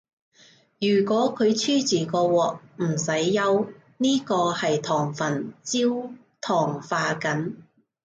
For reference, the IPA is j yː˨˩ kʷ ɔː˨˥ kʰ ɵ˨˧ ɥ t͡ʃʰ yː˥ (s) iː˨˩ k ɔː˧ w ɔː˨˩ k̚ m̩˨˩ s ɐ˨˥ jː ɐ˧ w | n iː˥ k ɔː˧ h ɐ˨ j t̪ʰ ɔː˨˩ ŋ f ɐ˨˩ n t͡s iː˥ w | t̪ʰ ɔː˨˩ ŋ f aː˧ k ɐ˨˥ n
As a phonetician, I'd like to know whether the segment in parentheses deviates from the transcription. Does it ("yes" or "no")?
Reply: yes